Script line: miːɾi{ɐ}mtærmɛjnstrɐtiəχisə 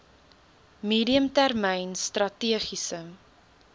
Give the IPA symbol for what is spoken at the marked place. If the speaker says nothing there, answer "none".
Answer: ə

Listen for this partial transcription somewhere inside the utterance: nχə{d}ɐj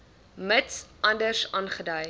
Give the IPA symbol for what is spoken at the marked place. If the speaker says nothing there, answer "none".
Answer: d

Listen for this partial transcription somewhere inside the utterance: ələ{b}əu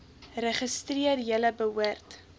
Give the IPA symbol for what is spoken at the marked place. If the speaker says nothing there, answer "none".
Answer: b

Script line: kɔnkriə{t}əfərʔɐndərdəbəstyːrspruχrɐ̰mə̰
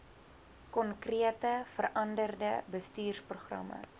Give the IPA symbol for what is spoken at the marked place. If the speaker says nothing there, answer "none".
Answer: t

